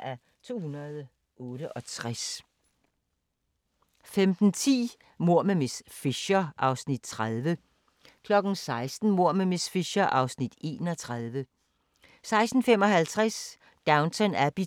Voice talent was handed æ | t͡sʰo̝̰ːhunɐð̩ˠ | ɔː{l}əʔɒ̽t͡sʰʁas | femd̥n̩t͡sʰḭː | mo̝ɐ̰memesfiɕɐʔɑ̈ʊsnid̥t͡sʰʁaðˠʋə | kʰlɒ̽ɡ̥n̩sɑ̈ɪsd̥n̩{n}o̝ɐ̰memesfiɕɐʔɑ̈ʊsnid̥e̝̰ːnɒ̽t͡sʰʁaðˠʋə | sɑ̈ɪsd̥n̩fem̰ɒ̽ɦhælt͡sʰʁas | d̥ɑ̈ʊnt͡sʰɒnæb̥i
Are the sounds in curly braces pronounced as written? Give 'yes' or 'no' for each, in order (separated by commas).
no, no